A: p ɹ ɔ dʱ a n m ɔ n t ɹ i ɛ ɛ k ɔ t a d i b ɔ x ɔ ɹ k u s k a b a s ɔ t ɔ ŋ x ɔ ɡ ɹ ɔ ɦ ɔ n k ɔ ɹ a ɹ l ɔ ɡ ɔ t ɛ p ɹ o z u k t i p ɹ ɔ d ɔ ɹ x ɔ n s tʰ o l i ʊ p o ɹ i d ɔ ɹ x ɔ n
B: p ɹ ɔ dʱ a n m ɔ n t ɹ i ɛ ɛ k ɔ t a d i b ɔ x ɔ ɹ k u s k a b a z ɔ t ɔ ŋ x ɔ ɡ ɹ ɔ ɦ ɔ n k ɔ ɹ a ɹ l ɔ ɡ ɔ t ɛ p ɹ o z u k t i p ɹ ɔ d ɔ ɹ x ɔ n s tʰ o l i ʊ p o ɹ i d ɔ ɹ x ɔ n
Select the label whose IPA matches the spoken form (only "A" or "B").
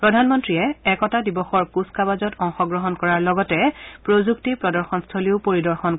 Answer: B